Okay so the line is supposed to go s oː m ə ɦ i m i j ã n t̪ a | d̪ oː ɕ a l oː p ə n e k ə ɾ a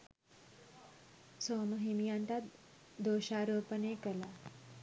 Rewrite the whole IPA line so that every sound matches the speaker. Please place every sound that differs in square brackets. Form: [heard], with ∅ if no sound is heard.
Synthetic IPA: s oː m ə ɦ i m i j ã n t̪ a | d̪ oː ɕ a [ɾ] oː p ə n e k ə [l] a